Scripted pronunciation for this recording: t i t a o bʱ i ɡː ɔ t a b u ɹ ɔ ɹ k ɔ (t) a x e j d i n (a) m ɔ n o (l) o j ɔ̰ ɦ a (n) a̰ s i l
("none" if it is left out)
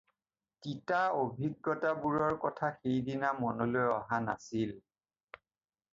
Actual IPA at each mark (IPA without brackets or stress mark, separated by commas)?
tʰ, a, l, n